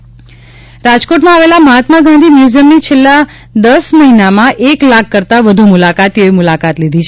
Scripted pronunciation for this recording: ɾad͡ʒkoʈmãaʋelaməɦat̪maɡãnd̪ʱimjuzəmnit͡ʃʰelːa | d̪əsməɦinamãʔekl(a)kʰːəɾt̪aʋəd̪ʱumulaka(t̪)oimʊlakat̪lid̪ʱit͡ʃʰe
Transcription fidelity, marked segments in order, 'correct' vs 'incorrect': correct, correct

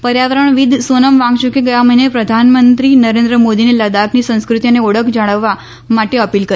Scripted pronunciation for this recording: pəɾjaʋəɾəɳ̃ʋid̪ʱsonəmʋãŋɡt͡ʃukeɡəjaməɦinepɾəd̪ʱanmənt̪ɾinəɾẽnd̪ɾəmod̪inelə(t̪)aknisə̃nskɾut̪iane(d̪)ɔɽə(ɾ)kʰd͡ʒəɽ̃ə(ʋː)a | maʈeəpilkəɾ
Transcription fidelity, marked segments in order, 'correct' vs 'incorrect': incorrect, incorrect, incorrect, correct

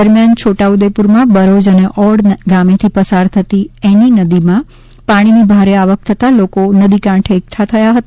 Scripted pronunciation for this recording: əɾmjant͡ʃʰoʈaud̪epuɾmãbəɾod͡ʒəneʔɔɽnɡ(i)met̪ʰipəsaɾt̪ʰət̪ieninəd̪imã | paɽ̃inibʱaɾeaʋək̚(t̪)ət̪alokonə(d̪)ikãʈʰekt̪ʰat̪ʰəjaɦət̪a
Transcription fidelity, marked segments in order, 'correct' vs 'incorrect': incorrect, incorrect, correct

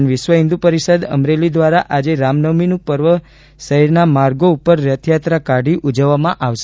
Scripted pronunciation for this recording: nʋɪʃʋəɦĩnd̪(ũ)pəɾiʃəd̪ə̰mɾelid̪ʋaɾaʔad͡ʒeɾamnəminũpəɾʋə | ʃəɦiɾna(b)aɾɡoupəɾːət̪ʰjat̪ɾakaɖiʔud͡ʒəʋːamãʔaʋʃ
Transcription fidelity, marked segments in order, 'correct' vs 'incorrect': incorrect, incorrect

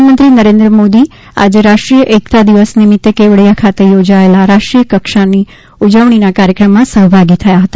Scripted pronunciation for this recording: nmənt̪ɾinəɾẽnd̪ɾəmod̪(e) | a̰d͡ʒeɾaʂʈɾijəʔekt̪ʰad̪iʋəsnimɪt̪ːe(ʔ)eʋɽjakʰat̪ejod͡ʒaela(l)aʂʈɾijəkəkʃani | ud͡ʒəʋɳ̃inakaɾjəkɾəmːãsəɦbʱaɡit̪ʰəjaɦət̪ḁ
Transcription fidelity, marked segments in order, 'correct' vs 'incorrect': incorrect, incorrect, incorrect

